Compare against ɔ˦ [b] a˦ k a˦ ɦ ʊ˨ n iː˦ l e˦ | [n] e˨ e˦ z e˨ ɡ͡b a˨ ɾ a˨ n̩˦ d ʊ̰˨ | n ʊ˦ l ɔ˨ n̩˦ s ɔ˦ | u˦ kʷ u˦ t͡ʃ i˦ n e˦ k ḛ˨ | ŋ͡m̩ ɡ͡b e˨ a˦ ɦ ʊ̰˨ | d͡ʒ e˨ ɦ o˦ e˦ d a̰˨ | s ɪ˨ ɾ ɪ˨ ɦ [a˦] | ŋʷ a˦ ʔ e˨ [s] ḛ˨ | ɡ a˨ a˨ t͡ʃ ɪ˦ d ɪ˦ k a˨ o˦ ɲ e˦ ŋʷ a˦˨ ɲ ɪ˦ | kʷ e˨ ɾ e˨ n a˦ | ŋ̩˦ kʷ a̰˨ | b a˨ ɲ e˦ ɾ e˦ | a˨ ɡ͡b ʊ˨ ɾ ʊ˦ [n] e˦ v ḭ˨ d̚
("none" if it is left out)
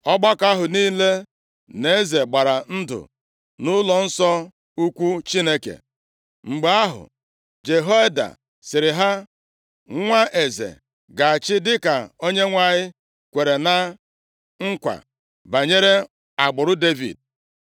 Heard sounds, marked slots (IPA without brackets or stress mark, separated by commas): ɡ͡b, n, a˦, z, d